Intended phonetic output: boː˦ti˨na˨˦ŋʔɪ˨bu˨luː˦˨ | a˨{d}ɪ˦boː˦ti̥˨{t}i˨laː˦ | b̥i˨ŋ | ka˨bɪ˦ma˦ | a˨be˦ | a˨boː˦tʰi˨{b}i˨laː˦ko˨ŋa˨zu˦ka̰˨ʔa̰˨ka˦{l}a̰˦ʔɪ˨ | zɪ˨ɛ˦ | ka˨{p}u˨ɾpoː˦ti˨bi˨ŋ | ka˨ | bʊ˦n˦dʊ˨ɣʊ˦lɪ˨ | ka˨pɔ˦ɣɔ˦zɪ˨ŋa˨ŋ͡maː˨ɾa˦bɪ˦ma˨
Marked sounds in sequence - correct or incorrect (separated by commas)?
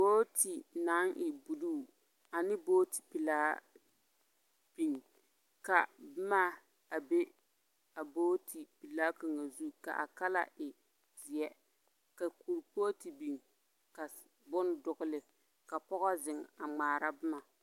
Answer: incorrect, incorrect, incorrect, correct, incorrect